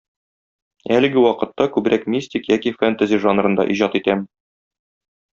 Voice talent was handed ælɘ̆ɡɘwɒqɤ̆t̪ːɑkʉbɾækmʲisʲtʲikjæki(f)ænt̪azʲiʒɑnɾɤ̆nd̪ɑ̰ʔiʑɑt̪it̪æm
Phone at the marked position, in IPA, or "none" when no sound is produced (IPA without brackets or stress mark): f